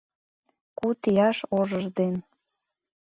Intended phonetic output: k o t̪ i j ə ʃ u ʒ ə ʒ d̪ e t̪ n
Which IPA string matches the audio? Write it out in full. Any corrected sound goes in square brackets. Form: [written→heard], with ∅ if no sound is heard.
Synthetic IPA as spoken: k [o→u] t̪ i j [ə→ɑ] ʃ [u→o] ʒ ə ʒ d̪ e [t̪→∅] n